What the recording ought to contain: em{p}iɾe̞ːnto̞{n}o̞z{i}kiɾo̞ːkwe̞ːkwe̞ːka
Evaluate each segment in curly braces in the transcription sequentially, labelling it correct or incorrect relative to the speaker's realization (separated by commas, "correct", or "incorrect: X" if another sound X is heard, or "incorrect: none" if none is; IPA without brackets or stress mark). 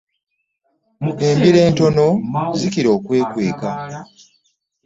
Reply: incorrect: b, correct, correct